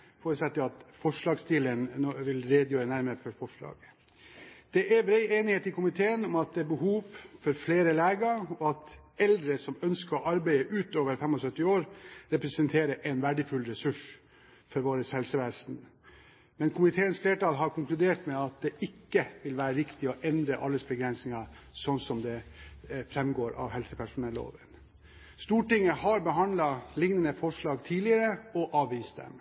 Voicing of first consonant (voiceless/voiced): voiceless